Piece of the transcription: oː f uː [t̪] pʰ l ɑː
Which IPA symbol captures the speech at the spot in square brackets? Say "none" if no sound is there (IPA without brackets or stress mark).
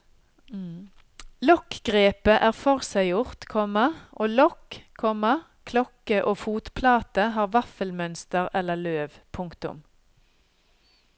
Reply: t̪